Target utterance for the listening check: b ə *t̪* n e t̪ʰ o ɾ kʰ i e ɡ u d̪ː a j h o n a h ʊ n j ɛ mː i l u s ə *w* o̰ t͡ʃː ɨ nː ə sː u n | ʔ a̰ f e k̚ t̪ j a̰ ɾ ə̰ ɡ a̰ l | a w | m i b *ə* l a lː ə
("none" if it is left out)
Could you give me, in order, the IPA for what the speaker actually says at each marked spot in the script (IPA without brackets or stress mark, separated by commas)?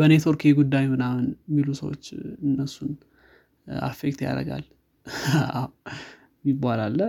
none, w, a